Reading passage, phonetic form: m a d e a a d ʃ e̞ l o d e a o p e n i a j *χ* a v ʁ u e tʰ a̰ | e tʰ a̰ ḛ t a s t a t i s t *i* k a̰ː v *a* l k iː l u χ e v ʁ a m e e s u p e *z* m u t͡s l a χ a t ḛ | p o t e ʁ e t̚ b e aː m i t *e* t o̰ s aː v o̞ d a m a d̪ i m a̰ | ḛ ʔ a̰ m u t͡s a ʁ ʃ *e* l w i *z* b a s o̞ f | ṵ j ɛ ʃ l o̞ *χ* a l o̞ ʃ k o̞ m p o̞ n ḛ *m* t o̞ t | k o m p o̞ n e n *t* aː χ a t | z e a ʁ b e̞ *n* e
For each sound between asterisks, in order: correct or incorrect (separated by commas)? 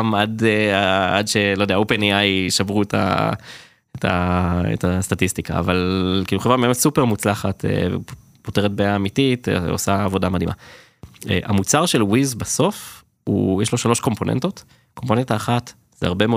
incorrect, correct, correct, incorrect, incorrect, correct, correct, incorrect, incorrect, correct, incorrect